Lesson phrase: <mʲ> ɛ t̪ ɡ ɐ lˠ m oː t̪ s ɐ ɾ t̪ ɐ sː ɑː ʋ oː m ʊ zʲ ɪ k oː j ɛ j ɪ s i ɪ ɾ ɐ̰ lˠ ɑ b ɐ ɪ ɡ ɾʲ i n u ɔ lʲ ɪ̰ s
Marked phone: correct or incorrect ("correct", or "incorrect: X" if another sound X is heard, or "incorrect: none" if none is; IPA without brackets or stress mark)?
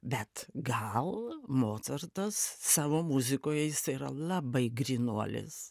incorrect: bʲ